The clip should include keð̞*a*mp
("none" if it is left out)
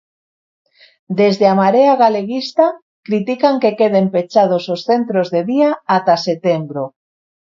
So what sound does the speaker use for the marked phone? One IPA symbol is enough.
e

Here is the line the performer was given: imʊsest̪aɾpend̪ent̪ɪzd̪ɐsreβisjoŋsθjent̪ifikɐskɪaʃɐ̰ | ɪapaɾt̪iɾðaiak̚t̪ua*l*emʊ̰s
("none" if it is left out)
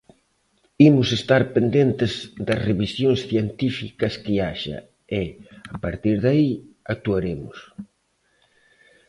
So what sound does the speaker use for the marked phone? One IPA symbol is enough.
ɾ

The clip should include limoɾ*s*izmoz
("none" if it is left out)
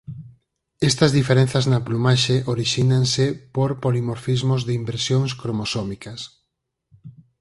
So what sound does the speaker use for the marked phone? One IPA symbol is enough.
f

